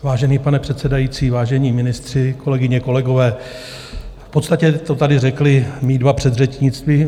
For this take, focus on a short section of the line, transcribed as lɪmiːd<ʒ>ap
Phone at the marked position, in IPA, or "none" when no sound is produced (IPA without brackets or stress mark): v